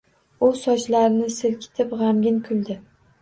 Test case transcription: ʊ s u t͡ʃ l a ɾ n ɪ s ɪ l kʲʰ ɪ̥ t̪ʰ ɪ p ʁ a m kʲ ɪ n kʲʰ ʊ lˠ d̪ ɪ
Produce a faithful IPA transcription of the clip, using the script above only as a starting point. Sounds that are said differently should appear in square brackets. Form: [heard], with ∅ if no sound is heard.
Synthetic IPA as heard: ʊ s [ɒ] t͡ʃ l a ɾ n ɪ s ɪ l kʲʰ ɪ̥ t̪ʰ ɪ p ʁ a m [ɡʲ] ɪ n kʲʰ ʊ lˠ d̪ ɪ